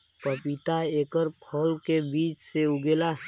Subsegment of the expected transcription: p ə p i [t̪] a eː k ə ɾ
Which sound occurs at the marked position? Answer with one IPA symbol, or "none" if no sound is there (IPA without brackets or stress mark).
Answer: t̪